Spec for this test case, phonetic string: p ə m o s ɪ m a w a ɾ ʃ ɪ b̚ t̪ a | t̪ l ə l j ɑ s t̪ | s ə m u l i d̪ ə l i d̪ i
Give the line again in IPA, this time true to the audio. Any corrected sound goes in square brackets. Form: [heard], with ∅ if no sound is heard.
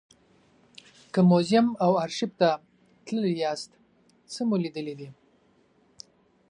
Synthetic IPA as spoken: [k] ə m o [z] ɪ m a w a ɾ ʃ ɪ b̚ t̪ a | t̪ l ə l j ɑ s t̪ | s ə m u l i d̪ ə l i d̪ i